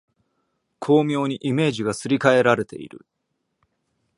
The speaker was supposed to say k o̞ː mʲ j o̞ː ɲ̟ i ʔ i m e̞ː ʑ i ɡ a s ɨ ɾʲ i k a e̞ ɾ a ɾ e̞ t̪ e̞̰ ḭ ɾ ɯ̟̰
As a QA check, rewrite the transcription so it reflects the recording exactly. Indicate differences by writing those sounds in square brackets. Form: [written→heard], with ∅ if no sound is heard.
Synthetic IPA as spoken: [k→kʰ] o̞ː mʲ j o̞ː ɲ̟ i ʔ i m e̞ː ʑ i ɡ a s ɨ ɾʲ i k a e̞ ɾ a ɾ e̞ t̪ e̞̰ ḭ ɾ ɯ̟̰